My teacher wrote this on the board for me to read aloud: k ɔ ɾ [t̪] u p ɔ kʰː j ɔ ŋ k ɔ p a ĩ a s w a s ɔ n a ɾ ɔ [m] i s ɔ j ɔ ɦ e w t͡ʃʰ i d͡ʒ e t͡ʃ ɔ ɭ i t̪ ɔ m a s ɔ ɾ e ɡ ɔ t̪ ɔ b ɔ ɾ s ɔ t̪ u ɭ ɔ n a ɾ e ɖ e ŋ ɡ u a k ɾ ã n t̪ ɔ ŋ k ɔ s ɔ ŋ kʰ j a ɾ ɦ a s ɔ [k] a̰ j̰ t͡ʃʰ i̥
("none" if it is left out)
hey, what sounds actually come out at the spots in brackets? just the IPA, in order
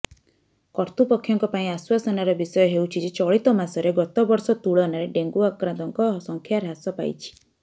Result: t̪, b, p

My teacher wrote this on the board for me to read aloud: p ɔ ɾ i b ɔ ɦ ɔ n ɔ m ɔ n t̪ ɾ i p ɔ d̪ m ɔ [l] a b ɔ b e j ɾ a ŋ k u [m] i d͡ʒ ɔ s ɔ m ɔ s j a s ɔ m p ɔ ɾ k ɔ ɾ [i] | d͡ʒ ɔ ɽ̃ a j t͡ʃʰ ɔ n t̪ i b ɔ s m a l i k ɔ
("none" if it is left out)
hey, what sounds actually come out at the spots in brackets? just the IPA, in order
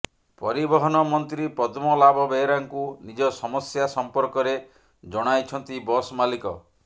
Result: l, n, e

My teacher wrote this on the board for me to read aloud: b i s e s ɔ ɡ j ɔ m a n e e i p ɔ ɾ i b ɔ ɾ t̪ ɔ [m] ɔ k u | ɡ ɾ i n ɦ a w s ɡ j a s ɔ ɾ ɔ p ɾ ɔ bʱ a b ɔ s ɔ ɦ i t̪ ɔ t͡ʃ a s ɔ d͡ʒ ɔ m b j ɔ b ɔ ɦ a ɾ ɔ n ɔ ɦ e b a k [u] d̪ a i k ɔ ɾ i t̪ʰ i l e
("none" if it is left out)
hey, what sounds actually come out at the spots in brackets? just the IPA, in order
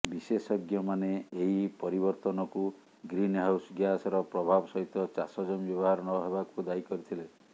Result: n, u

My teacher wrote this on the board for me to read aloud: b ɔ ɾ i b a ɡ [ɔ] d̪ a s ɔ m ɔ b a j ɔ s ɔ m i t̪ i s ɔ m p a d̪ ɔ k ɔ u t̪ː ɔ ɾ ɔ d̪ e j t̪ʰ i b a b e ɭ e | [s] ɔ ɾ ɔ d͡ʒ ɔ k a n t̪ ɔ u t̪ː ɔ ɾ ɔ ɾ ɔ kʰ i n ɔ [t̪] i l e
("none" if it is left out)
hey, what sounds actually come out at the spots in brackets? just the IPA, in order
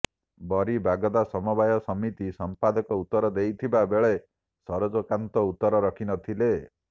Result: ɔ, s, t̪ʰ

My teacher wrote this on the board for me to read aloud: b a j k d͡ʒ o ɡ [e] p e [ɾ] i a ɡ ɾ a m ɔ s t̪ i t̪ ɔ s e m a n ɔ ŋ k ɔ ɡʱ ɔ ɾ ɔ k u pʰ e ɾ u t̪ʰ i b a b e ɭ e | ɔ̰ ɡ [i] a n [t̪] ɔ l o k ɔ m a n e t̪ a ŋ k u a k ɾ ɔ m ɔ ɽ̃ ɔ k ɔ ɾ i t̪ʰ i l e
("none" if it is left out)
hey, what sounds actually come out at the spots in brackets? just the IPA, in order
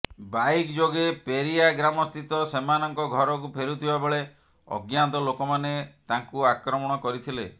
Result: e, ɾ, j, t̪

